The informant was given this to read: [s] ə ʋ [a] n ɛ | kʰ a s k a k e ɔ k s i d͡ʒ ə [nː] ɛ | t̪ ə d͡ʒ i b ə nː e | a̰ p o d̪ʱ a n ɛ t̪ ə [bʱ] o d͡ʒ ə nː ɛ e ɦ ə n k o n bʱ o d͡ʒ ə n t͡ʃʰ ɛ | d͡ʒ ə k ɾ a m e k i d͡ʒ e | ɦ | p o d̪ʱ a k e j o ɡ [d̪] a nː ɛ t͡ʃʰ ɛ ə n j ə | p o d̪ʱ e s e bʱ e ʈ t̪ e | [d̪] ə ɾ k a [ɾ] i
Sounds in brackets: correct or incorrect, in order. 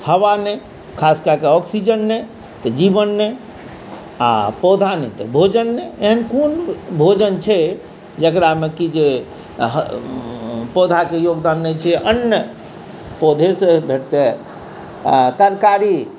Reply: incorrect, correct, correct, correct, correct, incorrect, correct

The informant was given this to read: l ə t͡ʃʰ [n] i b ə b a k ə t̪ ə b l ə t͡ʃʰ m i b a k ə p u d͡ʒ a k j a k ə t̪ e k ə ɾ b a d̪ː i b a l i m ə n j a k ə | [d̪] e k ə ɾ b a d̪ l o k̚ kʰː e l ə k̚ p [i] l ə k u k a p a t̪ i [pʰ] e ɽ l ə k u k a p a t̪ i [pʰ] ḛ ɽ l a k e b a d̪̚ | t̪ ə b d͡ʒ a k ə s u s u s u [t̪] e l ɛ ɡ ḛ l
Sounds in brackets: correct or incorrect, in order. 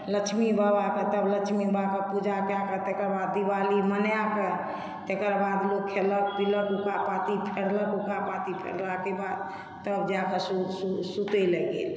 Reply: incorrect, incorrect, correct, correct, correct, correct

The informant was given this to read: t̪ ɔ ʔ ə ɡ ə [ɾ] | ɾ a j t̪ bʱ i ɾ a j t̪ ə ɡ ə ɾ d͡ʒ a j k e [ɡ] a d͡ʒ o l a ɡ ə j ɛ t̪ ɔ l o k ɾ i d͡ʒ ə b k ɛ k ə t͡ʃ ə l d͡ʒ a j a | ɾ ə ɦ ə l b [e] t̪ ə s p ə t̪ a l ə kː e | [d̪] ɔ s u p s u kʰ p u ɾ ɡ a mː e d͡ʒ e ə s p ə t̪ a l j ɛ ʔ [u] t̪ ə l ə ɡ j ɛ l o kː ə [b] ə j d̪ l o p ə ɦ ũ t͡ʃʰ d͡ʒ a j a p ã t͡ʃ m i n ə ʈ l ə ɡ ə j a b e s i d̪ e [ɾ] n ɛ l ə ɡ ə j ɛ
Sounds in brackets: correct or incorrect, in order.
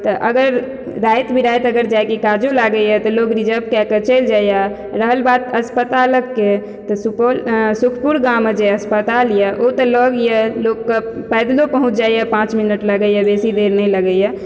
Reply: correct, incorrect, incorrect, incorrect, incorrect, incorrect, correct

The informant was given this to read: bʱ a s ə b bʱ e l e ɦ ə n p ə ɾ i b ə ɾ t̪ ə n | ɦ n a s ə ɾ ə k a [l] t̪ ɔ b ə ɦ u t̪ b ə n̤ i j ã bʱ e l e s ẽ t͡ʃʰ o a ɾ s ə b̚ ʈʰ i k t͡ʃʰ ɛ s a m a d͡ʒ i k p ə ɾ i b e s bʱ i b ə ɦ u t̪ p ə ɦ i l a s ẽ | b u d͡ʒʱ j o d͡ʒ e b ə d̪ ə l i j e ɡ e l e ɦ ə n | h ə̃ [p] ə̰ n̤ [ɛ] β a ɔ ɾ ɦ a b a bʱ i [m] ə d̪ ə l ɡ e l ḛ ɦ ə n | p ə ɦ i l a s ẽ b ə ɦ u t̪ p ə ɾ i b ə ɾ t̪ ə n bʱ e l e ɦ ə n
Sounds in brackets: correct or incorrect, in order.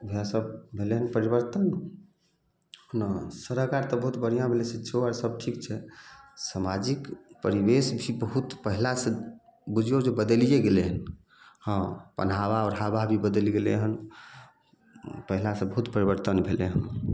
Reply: incorrect, correct, incorrect, incorrect

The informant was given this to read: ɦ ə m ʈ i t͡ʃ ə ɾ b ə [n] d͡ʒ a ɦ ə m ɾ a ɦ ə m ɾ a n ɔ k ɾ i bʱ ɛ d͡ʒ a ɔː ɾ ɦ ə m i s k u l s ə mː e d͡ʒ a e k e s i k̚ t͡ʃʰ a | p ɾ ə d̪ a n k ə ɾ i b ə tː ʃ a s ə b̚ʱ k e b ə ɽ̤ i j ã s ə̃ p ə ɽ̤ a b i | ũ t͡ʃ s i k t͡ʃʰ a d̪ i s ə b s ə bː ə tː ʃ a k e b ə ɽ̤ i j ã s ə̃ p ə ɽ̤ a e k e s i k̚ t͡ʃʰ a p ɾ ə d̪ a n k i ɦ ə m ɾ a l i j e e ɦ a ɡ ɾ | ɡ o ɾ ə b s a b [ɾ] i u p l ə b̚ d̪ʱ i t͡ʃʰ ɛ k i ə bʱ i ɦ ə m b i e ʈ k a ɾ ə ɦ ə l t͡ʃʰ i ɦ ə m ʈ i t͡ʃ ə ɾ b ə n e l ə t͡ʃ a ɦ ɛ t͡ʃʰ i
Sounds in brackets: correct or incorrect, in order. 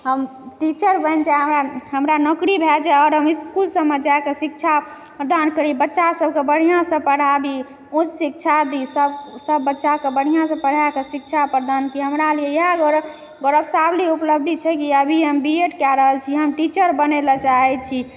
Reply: correct, incorrect

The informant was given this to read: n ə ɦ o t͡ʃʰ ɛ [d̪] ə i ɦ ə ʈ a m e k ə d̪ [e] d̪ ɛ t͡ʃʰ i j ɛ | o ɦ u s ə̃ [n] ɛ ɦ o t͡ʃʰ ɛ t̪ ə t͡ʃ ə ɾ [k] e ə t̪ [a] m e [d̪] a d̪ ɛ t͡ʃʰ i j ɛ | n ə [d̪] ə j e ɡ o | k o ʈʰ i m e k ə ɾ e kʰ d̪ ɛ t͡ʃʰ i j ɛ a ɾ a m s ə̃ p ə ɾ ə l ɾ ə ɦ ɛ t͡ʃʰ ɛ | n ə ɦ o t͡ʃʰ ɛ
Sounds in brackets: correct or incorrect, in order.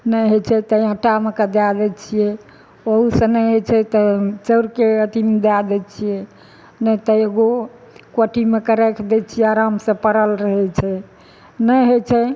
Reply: incorrect, incorrect, correct, correct, incorrect, correct, incorrect

